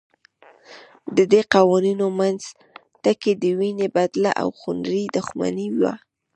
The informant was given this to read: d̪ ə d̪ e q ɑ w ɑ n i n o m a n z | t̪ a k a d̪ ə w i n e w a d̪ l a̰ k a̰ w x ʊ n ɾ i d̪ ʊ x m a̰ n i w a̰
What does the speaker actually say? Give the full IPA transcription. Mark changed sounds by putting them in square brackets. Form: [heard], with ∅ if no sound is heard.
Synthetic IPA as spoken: d̪ ə d̪ e q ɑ w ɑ n i n o m a n z | t̪ a k [e] d̪ ə w i n e [b] a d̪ l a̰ [ʔ] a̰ w x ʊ n ɾ i d̪ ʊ x m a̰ n i w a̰